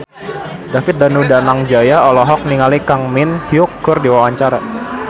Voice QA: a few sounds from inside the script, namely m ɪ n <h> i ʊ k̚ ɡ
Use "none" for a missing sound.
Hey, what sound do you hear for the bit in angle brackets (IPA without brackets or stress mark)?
h